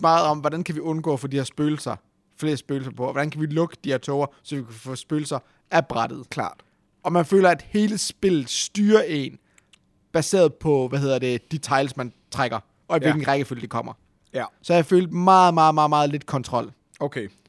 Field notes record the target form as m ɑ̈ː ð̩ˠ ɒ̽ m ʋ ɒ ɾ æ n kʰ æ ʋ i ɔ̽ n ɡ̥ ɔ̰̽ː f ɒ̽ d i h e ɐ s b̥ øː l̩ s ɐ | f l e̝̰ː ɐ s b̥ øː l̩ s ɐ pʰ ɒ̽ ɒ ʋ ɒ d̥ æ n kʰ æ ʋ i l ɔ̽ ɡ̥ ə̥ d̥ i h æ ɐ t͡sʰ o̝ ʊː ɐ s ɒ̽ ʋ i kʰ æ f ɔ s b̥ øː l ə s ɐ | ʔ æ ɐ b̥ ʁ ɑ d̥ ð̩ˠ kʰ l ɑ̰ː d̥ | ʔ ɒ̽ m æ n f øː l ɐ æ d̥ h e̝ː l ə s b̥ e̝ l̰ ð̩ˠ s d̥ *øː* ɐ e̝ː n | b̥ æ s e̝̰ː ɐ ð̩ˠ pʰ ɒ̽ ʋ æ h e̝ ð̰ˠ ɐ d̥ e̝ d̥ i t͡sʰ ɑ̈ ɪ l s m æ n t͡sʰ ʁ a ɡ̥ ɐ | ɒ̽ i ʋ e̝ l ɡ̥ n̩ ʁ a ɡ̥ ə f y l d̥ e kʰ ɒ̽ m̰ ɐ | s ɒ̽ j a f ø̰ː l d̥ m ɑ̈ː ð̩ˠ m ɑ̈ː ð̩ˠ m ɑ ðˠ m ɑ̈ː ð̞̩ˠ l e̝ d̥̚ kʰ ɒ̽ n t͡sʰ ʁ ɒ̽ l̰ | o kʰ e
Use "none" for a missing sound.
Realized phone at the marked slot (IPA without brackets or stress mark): yː